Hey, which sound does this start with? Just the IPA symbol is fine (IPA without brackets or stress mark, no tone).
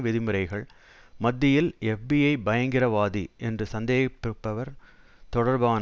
ʋ